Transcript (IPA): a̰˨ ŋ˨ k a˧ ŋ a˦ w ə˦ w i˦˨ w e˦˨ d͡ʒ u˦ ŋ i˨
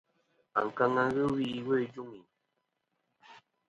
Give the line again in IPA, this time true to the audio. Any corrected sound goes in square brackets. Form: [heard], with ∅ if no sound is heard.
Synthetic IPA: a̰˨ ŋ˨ k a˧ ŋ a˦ [ɣ] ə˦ w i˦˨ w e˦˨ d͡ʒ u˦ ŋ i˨

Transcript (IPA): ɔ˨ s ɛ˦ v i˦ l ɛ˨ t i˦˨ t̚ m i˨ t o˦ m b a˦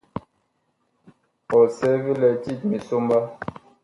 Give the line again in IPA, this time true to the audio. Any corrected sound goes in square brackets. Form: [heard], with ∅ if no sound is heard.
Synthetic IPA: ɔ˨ s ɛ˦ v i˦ l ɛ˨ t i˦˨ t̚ m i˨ [s] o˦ m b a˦

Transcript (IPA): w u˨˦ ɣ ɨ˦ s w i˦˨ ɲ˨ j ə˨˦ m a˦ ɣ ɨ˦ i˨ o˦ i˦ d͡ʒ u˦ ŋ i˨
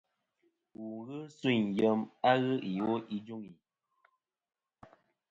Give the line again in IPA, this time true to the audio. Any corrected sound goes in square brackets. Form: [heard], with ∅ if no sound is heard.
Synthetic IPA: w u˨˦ ɣ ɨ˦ s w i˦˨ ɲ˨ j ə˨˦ m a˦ ɣ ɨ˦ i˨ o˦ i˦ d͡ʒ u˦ ŋ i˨

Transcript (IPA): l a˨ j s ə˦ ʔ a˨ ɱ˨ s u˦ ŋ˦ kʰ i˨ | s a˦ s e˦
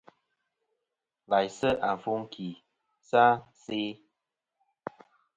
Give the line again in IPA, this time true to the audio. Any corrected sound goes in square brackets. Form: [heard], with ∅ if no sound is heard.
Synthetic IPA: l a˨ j s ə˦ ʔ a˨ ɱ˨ [f] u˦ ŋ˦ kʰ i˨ | s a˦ s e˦

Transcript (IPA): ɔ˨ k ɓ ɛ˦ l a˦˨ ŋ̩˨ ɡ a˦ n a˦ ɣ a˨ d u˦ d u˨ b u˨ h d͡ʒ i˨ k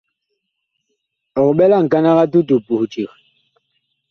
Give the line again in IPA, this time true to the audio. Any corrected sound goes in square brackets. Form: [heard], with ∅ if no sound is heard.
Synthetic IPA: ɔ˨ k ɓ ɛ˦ l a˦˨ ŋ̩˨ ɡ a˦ n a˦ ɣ [a˦] d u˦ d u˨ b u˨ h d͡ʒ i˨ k

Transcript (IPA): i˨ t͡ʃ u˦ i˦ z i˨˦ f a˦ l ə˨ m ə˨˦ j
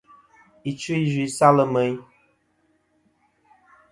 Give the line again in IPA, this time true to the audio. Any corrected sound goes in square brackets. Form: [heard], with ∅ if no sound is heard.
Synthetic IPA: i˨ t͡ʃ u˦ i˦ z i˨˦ [s] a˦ l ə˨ m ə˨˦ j

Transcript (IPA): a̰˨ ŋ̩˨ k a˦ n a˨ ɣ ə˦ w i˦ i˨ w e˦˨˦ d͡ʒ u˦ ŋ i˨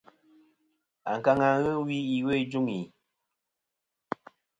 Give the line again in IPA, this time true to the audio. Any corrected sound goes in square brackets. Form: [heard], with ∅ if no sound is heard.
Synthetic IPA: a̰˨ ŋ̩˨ k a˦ [ŋ] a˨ ɣ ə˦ w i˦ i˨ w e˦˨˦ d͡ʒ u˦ ŋ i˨

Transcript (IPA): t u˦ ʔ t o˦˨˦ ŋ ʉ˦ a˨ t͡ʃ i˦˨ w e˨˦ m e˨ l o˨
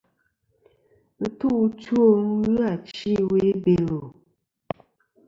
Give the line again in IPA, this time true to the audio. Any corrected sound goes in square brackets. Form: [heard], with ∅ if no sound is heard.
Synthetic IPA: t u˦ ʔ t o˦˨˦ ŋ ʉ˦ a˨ t͡ʃ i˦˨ w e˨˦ [b] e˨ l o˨

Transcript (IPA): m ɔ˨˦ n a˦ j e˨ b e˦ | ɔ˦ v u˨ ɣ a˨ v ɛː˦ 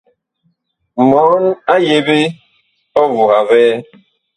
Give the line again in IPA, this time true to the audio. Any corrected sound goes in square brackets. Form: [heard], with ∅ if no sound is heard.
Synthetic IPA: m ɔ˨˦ n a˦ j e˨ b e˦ | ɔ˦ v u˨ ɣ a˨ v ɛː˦

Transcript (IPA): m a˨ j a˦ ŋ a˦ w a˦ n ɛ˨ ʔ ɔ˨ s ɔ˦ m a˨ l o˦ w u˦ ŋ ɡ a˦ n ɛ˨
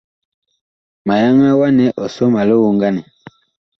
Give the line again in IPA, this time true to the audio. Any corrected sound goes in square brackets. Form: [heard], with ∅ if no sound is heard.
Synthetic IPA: m a˨ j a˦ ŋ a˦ w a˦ n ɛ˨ ʔ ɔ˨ s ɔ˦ m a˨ l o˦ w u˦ ŋ ɡ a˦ n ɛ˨

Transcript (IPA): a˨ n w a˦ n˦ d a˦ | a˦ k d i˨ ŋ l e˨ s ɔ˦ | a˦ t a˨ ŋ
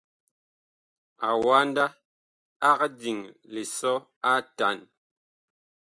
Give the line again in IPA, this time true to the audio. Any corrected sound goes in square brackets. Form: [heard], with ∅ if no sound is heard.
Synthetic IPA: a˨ [∅] w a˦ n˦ d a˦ | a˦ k d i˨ ŋ l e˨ s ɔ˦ | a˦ t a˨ [n]

